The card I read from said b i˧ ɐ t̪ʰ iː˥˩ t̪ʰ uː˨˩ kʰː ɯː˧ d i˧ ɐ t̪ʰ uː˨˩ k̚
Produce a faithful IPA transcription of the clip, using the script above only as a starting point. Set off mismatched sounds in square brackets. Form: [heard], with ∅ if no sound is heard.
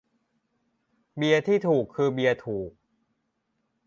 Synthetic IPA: b i˧ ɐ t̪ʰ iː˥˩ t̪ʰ uː˨˩ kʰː ɯː˧ [b] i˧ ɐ t̪ʰ uː˨˩ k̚